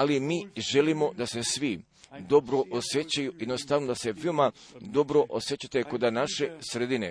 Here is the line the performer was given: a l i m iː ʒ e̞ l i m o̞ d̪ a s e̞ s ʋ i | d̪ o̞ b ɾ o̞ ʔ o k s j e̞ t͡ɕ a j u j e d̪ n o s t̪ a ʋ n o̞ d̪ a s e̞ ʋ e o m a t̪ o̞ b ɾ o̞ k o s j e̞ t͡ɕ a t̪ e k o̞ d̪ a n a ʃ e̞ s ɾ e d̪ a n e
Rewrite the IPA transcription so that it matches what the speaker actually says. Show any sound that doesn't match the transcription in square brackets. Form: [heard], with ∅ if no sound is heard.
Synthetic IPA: a l i m iː ʒ e̞ l i m o̞ d̪ a s e̞ s ʋ i | d̪ o̞ b ɾ o̞ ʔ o [∅] s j e̞ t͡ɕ a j u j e d̪ n o s t̪ a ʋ n o̞ d̪ a s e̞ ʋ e o m a [d̪] o̞ b ɾ o̞ [ʔ] o s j e̞ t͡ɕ a t̪ e k o̞ d̪ a n a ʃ e̞ s ɾ e d̪ [i] n e